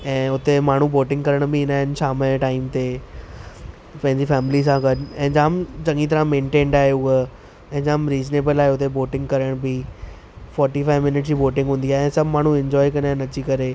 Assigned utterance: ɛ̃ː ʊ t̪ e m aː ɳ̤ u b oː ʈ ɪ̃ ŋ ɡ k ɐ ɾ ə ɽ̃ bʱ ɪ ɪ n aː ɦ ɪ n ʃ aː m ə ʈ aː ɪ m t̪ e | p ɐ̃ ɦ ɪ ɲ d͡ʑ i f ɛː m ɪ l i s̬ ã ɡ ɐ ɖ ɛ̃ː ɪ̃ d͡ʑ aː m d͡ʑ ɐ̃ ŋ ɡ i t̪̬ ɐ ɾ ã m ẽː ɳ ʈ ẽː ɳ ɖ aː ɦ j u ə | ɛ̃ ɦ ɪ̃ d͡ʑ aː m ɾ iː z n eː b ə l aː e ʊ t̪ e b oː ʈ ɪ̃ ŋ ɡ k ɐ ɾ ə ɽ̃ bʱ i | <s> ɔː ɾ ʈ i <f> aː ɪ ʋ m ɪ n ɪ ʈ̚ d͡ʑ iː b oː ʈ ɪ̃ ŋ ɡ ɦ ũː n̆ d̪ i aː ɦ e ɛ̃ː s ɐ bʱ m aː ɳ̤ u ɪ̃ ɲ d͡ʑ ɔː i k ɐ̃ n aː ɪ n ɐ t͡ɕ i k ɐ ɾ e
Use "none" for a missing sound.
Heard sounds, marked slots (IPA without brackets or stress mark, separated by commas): f, f